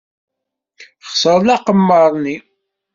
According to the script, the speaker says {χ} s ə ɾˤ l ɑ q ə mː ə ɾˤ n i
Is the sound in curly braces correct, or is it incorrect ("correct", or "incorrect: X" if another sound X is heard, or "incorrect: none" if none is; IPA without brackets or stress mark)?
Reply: correct